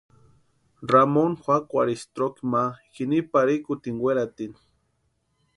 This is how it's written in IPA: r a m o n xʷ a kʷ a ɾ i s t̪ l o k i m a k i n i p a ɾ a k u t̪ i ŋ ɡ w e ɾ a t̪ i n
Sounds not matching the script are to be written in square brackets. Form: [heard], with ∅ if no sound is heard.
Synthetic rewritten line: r a m o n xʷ a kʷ a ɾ i s t̪ [ɾ] o k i m a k i n i p a ɾ [i] k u t̪ i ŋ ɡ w e ɾ a t̪ i n